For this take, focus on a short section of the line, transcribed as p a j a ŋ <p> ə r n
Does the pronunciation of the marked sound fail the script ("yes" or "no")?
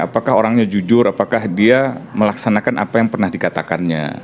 no